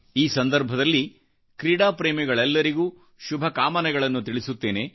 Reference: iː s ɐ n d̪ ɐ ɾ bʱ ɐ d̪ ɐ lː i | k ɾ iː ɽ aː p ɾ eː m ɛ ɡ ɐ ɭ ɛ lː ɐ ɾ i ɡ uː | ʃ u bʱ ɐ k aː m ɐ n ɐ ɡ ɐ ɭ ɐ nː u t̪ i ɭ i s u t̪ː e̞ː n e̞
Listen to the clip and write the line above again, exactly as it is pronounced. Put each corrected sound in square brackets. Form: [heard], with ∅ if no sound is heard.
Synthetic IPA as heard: iː s ɐ n d̪ ɐ ɾ bʱ ɐ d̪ ɐ lː i | k ɾ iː ɽ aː p ɾ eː m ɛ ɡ ɐ ɭ ɛ lː ɐ ɾ i ɡ uː | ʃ u bʱ ɐ k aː m ɐ n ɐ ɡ ɐ ɭ ɐ nː u t̪ i ɭ i s u t̪ː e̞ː n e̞

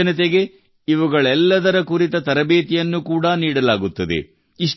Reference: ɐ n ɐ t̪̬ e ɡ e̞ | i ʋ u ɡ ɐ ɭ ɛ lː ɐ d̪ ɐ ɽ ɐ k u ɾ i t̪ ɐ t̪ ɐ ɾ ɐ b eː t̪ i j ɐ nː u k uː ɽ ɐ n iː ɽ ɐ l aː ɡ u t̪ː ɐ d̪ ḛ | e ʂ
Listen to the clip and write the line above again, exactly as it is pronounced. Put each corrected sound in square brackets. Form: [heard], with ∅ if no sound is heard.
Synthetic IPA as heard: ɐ n ɐ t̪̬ e ɡ e̞ | i ʋ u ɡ ɐ ɭ ɛ lː ɐ d̪ ɐ [ɾ] ɐ k u ɾ i t̪ ɐ t̪ ɐ ɾ ɐ b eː t̪ i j ɐ nː u k uː ɽ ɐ n iː ɽ ɐ l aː ɡ u t̪ː ɐ d̪ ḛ | [i] ʂ

